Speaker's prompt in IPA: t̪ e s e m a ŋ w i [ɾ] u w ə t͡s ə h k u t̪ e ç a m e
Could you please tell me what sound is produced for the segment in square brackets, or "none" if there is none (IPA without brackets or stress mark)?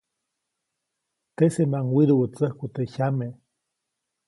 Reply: ɾ